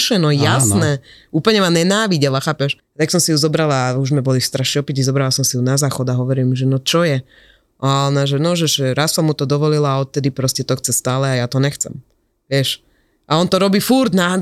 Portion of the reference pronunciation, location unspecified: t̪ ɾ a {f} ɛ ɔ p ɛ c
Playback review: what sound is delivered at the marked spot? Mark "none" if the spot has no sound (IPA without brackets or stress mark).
ʃ